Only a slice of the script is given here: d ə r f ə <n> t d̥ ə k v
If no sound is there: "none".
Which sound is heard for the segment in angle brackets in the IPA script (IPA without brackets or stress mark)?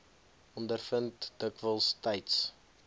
n